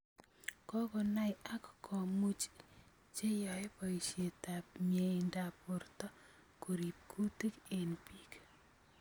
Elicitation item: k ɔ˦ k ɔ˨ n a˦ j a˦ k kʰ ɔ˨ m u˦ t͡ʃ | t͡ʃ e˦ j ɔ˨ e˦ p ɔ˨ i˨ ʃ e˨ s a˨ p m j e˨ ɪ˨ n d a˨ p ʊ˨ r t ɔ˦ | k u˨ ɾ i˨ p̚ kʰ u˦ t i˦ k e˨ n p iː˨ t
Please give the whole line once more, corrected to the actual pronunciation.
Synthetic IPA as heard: k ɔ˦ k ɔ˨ n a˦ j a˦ k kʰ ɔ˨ m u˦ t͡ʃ | t͡ʃ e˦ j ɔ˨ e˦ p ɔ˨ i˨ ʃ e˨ t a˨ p m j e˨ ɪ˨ n d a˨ p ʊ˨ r t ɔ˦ | k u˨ ɾ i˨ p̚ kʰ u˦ t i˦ k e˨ n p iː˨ k